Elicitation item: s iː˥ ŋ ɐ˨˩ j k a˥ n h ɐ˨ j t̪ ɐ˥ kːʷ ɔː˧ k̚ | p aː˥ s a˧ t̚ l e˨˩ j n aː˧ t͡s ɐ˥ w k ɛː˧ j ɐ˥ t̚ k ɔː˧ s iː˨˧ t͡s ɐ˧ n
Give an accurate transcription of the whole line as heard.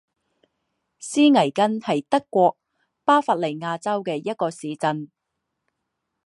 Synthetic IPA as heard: s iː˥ ŋ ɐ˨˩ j k ɐ˥ n h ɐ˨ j t̪ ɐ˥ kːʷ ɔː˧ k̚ | p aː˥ f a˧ t̚ l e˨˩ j ŋ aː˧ t͡s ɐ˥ w k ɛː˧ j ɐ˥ t̚ k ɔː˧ s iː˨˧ t͡s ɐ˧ n